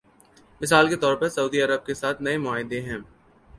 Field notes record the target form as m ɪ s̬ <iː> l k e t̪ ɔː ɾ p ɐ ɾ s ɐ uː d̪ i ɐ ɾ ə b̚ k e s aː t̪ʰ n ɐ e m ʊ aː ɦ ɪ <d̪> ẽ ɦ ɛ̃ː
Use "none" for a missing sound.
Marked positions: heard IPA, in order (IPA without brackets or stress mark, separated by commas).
aː, d̪